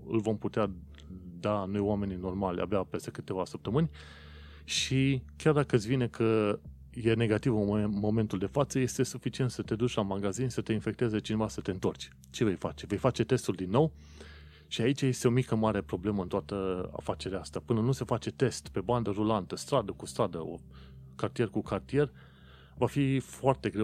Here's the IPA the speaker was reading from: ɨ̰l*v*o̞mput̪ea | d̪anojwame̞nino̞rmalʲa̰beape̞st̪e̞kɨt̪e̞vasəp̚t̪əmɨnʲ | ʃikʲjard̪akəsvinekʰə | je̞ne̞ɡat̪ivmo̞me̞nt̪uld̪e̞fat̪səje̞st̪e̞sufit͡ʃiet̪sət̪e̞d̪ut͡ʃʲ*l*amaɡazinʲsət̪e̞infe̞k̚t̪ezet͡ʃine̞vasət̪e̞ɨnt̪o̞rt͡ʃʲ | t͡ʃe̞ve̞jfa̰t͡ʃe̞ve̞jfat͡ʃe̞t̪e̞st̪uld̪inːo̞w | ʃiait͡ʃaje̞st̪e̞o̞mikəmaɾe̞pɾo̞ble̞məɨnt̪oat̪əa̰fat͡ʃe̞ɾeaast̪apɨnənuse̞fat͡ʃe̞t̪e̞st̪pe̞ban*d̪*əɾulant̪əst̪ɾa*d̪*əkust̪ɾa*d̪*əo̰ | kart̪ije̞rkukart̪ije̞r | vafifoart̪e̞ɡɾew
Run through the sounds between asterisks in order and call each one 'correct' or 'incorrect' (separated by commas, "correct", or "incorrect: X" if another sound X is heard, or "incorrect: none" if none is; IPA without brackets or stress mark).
correct, correct, correct, correct, correct